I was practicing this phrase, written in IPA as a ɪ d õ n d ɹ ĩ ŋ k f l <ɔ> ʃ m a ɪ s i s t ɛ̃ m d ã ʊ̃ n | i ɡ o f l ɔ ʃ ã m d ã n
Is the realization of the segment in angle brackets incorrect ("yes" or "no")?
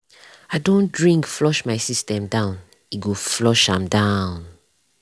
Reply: no